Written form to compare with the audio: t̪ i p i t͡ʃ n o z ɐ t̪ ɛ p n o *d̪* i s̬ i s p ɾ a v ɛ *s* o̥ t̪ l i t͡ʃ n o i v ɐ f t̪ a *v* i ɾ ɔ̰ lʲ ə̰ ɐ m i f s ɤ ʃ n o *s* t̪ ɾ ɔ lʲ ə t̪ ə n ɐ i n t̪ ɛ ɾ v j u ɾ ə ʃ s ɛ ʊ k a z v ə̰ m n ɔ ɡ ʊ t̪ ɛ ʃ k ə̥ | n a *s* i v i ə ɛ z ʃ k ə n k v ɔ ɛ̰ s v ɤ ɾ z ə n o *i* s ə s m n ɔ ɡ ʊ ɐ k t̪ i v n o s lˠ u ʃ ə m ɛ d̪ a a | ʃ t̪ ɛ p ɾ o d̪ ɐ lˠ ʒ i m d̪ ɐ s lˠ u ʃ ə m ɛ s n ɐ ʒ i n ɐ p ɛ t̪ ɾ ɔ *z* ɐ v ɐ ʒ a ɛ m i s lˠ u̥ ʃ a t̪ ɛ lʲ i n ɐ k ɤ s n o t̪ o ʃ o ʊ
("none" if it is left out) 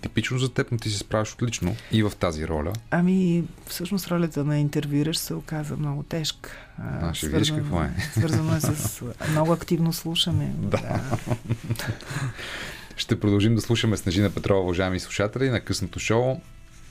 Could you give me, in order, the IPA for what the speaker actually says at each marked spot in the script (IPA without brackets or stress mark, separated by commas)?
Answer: t̪, ʃ, z, s, ʃ, ɛ, v